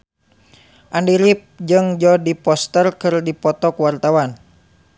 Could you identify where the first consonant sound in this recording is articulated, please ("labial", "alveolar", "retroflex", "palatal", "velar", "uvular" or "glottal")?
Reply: glottal